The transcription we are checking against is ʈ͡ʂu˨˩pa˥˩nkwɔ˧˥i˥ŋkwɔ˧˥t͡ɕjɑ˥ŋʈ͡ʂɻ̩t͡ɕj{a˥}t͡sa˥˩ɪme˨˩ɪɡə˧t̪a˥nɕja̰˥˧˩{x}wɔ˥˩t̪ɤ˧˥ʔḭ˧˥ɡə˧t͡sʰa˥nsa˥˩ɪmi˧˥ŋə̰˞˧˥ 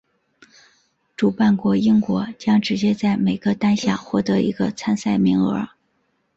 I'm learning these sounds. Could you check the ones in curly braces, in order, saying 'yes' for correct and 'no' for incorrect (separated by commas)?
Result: no, yes